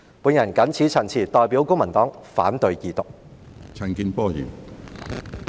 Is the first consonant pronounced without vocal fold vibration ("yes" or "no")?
yes